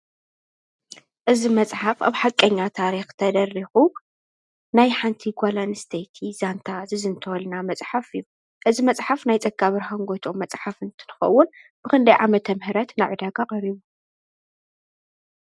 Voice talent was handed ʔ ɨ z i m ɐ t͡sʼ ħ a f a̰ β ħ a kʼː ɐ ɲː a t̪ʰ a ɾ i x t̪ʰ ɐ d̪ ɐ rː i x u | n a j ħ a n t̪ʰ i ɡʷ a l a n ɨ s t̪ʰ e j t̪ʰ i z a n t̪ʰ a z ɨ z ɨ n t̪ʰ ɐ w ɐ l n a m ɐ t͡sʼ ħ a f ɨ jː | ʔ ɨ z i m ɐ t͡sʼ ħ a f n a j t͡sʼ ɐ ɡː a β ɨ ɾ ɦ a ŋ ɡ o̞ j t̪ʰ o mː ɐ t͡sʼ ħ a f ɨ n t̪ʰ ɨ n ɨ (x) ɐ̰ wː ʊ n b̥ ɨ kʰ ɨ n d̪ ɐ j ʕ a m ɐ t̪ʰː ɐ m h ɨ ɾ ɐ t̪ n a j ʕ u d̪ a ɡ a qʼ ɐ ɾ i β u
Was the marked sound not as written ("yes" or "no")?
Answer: no